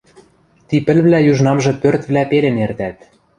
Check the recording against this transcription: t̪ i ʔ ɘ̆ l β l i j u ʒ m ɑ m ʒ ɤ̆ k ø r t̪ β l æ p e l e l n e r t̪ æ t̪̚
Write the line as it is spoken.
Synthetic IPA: t̪ i p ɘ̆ l β l æ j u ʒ n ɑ m ʒ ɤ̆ p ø r t̪ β l æ p e l e n e r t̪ æ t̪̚